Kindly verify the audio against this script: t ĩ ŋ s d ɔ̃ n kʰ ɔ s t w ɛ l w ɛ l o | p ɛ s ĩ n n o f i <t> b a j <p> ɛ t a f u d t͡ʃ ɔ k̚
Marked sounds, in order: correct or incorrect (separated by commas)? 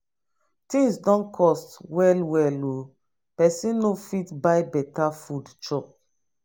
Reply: correct, incorrect